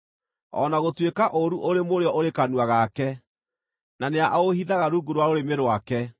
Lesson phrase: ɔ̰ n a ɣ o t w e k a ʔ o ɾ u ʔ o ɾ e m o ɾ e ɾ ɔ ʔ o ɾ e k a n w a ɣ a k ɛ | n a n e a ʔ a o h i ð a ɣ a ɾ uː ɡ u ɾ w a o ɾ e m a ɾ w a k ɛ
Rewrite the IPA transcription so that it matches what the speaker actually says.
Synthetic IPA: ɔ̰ n a ɣ o t w e k a ʔ o ɾ u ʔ o ɾ e m o ɾ e ɔ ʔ o ɾ e k a n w a ɣ a k ɛ | n a n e a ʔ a o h i ð a ɣ a ɾ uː ɡ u ɾ w a o ɾ e m e ɾ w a k ɛ